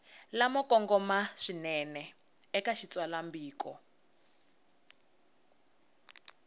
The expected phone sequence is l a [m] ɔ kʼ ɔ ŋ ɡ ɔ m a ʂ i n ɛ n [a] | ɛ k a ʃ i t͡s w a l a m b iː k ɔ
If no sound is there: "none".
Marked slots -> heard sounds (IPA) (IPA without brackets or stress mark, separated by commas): m, ɛ